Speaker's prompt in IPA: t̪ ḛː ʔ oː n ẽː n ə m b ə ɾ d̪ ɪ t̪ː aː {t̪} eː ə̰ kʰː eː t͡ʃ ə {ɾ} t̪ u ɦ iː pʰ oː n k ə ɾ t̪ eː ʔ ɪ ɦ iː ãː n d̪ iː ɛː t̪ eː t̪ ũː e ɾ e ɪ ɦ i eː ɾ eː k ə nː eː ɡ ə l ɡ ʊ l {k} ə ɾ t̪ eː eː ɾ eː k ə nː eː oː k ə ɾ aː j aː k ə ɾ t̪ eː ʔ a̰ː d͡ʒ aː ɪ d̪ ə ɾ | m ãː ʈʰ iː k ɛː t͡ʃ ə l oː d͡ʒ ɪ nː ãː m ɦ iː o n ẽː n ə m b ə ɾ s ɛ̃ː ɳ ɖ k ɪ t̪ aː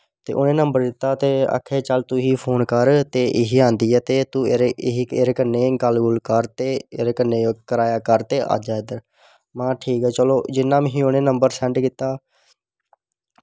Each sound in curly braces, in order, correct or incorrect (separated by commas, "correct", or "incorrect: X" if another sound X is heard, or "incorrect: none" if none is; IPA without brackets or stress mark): correct, incorrect: l, correct